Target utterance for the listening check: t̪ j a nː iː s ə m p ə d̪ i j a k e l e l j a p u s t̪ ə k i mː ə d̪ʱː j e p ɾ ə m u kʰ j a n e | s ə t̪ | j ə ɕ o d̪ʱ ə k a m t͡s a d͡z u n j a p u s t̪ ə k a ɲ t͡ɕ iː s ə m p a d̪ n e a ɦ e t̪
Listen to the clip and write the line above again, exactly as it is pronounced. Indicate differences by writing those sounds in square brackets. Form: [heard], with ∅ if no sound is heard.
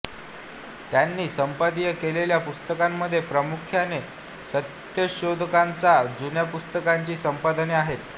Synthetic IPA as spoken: t̪ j a nː iː s ə m p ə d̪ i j [ə] k e l e l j a p u s t̪ ə k [a] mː ə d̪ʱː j e p ɾ ə m u kʰ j a n e | s ə t̪ | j ə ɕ o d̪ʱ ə k a [n] t͡s a d͡z u n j a p u s t̪ ə k a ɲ t͡ɕ iː s ə m p a d̪ n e a ɦ e t̪